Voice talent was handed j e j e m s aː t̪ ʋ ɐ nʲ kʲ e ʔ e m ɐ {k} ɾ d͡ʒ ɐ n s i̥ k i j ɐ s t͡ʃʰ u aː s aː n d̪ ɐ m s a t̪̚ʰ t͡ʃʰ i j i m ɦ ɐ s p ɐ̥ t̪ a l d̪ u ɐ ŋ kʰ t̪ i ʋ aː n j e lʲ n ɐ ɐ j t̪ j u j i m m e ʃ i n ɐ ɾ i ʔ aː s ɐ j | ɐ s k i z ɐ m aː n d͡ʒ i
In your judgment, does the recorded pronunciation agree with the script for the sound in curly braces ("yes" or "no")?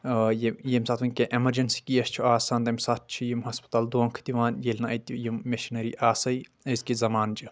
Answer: no